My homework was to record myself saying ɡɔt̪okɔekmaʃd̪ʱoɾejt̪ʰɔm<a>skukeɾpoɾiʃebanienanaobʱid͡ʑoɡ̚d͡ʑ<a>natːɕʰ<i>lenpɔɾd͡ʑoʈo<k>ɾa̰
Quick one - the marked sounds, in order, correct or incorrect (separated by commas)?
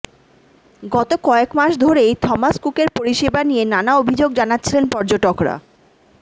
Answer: correct, correct, correct, correct